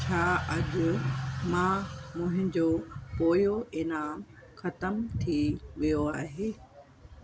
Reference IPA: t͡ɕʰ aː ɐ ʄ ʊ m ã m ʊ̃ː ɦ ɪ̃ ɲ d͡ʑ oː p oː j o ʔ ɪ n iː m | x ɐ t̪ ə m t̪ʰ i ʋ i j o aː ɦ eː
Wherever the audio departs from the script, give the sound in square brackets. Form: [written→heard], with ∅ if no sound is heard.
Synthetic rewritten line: t͡ɕʰ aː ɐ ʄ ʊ m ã m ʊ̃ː ɦ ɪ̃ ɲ d͡ʑ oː p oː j o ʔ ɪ n [iː→aː] m | x ɐ t̪ ə m t̪ʰ i ʋ i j o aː ɦ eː